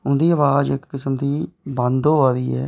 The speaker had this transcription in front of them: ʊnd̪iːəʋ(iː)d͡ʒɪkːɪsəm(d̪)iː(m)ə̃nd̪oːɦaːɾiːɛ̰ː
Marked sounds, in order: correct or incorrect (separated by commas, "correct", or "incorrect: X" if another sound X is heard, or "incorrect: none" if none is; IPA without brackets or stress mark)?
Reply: incorrect: aː, correct, incorrect: b